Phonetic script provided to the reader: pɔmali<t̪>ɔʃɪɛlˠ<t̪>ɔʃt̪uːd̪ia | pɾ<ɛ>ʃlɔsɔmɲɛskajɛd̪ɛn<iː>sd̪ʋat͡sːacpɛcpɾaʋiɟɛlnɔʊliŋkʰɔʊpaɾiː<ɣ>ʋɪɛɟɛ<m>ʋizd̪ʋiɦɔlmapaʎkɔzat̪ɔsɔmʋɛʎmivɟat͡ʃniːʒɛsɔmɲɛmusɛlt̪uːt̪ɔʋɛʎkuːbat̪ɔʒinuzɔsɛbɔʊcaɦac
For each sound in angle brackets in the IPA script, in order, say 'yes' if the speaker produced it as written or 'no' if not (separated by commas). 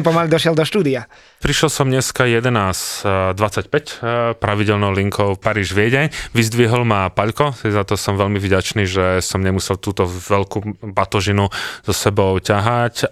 no, no, no, no, no, no